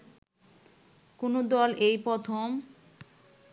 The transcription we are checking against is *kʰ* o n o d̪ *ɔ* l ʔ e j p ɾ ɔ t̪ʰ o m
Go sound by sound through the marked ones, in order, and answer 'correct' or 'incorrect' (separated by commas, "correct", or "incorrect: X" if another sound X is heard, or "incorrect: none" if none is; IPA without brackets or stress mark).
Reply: incorrect: k, correct